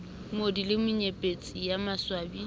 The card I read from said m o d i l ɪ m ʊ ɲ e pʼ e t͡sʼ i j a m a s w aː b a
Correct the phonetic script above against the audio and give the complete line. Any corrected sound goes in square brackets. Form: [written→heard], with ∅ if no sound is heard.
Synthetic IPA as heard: m o d i l ɪ m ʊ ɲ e pʼ e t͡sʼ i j a m a s w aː b [a→i]